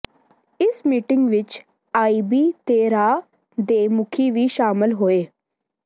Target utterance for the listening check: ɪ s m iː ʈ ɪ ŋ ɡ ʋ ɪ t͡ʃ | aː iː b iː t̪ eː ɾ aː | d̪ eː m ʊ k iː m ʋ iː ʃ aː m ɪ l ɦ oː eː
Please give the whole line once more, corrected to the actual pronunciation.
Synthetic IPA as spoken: ɪ s m iː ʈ ɪ ŋ ɡ ʋ ɪ t͡ʃ | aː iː b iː t̪ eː ɾ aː | d̪ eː m ʊ kʰ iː ʋ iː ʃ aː m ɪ l ɦ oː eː